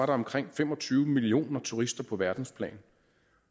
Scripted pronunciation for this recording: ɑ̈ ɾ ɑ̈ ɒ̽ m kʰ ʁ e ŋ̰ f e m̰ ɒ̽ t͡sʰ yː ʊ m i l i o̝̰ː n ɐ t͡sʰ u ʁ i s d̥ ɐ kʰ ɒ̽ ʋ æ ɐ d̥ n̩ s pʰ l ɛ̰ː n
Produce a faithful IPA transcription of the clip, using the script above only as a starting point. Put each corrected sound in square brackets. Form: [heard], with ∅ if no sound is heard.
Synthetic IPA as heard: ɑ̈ ɾ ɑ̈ ɒ̽ m kʰ ʁ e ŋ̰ f e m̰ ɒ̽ t͡sʰ yː ʊ m i l i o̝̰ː n ɐ t͡sʰ u ʁ i s d̥ ɐ [pʰ] ɒ̽ ʋ æ ɐ d̥ n̩ s pʰ l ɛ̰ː n